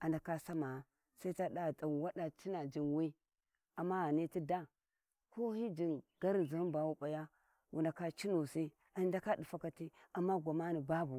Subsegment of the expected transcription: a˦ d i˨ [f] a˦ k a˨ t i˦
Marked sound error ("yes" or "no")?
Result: no